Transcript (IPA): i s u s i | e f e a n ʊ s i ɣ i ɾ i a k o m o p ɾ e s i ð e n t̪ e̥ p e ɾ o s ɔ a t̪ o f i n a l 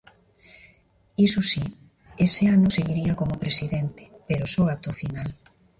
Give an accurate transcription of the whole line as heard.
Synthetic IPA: i s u s i | e s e a n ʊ s e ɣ i ɾ i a k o m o p ɾ e s i ð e n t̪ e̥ p e ɾ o s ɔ a t̪ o f i n a l